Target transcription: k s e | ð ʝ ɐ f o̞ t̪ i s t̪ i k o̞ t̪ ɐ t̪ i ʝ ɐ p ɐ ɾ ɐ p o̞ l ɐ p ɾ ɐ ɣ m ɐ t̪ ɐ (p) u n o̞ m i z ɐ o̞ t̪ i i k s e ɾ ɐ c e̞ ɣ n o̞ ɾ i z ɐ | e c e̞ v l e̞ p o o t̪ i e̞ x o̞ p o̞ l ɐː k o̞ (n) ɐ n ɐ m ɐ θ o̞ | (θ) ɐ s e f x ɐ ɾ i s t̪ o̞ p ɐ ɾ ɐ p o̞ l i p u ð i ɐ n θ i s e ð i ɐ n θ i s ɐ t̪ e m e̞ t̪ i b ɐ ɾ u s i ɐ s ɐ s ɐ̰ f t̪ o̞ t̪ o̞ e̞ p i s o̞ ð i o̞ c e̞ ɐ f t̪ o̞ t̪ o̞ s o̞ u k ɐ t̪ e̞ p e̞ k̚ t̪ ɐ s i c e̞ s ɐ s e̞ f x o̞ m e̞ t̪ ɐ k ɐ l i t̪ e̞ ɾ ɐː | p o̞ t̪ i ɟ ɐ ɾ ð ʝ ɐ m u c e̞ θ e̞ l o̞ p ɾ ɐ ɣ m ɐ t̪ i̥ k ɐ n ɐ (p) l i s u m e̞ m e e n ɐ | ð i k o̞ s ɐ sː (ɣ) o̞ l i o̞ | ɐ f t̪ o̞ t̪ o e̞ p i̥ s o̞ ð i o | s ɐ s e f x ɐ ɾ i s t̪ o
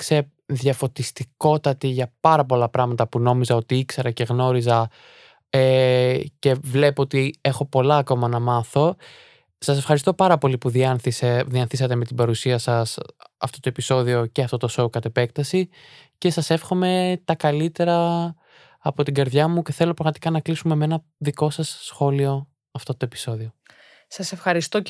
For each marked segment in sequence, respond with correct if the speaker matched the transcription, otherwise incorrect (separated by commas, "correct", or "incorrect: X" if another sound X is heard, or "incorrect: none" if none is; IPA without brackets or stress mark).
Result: correct, incorrect: m, incorrect: s, incorrect: k, incorrect: x